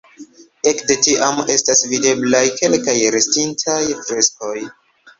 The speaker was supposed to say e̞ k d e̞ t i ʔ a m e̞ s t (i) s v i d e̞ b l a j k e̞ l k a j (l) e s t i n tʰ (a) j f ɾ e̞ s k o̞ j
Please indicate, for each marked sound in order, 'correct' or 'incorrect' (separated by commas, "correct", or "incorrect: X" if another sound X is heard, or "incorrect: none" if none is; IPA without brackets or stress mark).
incorrect: a, incorrect: ɾ, correct